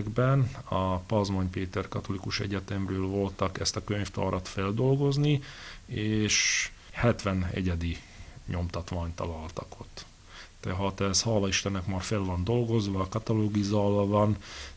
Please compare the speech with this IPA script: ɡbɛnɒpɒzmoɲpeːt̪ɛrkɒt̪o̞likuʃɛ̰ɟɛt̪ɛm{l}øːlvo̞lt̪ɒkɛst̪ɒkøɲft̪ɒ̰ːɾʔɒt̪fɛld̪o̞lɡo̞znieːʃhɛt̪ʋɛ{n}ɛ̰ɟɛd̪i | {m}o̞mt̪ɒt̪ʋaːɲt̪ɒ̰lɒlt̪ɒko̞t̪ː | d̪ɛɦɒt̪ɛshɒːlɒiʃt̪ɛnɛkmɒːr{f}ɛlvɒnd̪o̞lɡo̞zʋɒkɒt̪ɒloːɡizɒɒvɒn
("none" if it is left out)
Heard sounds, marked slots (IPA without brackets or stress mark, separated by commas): r, n, ɲ, f